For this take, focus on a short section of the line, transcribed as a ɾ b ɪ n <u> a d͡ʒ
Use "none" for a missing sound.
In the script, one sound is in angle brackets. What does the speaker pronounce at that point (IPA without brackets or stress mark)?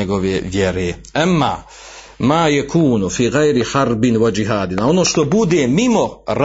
w